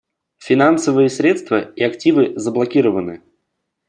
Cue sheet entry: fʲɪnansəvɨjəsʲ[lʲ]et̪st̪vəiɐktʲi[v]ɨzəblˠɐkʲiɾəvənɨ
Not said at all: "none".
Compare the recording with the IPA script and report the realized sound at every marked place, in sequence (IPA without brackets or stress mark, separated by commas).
ɾʲ, v